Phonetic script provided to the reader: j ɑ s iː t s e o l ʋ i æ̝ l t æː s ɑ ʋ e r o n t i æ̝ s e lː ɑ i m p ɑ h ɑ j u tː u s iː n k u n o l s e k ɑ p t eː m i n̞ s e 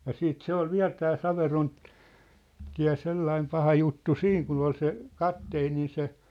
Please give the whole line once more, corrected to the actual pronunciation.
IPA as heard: j ɑ s iː t s e o l ʋ i æ̝ l t æː s ɑ ʋ e r o n t i æ̝ s e lː ɑ i m p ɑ h ɑ j u tː u s iː ŋ k u n o l s e k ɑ p t eː n i n̞ s e